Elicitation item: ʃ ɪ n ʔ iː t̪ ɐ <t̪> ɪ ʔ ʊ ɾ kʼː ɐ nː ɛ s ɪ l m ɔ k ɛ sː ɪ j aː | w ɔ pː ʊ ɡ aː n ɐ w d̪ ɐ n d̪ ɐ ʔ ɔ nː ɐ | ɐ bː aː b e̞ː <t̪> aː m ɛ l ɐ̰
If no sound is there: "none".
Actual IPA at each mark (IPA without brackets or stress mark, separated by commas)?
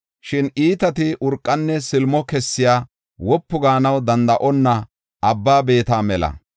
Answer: t̪, t̪